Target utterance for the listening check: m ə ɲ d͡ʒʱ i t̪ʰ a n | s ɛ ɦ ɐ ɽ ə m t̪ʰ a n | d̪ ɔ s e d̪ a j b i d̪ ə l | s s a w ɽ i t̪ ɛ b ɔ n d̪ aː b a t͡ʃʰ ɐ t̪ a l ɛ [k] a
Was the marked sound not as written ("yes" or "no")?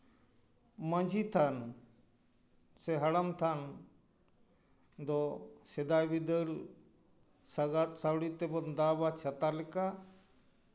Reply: no